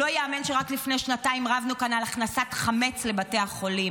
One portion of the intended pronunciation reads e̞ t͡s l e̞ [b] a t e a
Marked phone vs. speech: correct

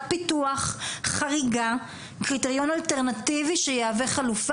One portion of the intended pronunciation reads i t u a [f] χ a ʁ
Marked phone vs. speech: incorrect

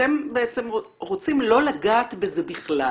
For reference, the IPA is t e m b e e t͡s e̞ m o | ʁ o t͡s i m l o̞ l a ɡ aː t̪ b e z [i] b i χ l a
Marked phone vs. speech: incorrect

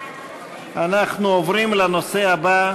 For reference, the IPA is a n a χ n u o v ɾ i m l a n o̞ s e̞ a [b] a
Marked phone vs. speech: correct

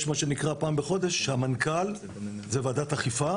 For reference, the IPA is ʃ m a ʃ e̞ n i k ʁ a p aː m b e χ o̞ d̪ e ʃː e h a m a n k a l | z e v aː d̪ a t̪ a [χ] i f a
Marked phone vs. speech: correct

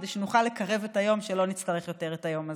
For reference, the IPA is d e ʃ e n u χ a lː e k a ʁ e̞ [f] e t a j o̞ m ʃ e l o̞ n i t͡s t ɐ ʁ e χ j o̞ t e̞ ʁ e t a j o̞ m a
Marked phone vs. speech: incorrect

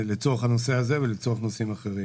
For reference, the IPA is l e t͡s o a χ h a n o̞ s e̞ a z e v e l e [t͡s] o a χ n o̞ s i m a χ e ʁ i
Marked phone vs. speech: correct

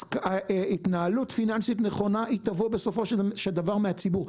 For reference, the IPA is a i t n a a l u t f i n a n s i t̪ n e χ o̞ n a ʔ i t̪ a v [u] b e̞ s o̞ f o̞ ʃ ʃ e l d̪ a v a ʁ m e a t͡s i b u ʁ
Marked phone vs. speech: incorrect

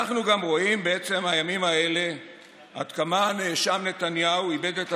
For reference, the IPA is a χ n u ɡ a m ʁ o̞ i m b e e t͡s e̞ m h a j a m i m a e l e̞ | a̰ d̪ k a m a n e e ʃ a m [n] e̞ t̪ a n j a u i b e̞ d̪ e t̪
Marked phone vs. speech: correct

